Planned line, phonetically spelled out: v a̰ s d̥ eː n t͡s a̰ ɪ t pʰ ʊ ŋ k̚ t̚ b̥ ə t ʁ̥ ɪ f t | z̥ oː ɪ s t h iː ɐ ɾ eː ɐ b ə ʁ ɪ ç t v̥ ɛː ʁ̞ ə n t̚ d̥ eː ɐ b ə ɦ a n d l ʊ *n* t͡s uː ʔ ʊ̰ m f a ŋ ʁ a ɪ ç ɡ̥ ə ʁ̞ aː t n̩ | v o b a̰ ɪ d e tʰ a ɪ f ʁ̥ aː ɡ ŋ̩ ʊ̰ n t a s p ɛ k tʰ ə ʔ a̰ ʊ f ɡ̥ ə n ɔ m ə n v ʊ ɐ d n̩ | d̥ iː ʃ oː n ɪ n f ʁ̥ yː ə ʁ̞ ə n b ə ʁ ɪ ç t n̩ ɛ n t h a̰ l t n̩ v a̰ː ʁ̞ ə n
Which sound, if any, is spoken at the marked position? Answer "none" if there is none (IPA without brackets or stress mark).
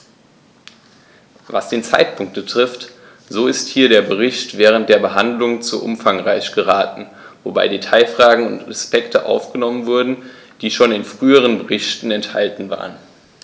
ŋ